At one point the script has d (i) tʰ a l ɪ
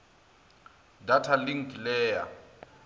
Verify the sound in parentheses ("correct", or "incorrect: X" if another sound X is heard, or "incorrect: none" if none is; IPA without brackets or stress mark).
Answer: incorrect: a